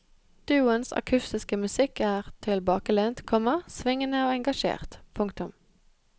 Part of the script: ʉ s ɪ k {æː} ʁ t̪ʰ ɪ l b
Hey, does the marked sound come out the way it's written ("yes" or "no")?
yes